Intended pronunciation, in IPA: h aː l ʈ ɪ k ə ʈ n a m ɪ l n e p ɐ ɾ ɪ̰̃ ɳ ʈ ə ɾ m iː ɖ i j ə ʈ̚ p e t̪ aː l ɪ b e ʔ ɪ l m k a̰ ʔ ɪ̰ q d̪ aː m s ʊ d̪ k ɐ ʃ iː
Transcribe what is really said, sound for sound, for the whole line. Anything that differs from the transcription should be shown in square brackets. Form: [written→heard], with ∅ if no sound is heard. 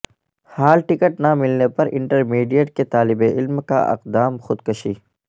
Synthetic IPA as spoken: h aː l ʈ ɪ k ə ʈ n a m ɪ l n e p ɐ ɾ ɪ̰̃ ɳ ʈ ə ɾ m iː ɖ i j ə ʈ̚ [p→k] e t̪ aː l ɪ b e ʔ ɪ l m k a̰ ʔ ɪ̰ q d̪ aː m [s→x] ʊ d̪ k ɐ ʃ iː